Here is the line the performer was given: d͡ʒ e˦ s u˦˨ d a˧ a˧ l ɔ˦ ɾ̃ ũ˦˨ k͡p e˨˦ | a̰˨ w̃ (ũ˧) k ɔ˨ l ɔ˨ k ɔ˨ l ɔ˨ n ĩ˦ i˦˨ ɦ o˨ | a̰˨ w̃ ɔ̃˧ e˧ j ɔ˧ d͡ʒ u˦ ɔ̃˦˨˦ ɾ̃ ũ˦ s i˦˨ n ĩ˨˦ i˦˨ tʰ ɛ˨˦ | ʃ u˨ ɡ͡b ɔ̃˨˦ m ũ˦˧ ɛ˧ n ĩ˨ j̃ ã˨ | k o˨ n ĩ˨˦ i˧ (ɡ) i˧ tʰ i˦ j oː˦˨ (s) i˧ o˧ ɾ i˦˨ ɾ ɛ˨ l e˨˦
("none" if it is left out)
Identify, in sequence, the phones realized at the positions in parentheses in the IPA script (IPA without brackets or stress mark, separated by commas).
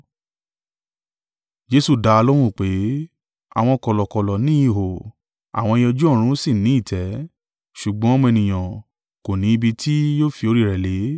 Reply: ɔ̃˧, b, f